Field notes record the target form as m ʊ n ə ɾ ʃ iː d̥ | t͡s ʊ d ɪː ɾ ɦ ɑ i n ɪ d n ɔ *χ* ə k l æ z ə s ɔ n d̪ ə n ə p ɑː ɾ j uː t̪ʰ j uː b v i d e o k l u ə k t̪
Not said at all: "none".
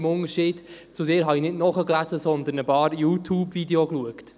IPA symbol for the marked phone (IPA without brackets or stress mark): χ